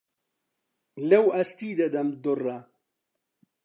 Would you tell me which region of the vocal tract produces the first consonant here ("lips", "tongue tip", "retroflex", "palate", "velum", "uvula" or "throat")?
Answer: tongue tip